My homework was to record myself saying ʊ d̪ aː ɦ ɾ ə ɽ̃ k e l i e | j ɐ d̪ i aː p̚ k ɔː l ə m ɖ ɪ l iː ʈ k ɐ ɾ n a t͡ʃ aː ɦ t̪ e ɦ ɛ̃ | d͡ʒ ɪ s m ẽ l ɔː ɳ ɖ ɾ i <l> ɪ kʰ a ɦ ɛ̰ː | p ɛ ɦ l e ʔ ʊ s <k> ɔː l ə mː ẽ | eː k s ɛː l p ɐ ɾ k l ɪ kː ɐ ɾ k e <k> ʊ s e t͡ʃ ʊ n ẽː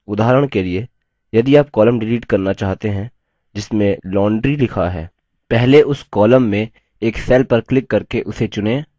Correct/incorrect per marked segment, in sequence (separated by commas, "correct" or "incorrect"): correct, correct, incorrect